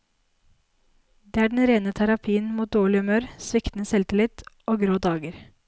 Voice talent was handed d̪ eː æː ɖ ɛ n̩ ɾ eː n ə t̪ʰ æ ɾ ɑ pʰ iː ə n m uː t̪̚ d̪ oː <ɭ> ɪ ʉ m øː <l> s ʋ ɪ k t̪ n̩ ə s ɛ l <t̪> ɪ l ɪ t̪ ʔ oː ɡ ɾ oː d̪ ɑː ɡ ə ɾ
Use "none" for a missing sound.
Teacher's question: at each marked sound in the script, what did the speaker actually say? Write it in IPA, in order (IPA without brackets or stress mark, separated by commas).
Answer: ɭ, ɾ, t̪